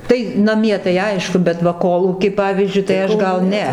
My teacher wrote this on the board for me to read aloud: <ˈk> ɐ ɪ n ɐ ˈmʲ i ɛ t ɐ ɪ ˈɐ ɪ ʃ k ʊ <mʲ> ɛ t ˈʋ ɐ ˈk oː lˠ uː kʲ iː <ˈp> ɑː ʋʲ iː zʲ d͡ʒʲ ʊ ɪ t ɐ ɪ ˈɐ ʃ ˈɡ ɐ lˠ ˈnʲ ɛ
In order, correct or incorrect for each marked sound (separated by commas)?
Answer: incorrect, incorrect, correct